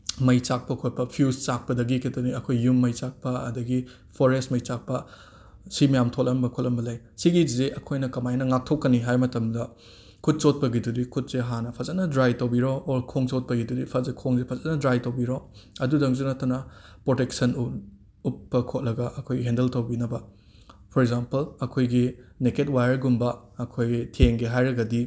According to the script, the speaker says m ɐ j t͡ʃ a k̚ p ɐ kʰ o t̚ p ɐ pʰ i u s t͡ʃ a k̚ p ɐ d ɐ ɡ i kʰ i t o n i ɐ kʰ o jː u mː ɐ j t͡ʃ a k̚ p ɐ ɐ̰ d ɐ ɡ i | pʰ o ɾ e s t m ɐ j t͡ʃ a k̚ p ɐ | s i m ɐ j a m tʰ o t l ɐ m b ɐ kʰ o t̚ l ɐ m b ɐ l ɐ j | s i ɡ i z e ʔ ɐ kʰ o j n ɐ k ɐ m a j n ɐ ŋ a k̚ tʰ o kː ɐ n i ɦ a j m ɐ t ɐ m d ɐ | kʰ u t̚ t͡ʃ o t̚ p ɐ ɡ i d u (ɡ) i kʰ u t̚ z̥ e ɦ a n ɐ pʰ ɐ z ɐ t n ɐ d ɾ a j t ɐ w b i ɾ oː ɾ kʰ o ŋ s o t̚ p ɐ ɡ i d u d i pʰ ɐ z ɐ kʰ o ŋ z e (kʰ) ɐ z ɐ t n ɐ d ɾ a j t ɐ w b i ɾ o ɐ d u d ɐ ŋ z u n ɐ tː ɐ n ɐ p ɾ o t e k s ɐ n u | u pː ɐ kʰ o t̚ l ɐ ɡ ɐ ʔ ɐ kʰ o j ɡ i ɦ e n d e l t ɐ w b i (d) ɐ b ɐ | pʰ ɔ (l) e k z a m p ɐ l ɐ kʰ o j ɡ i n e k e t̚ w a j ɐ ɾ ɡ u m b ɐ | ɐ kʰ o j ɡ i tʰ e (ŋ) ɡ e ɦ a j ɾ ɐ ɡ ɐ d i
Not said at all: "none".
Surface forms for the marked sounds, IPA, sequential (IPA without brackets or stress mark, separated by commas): d, pʰ, n, ɾ, ŋ